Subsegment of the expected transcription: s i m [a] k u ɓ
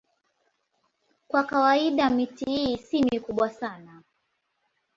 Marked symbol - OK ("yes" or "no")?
no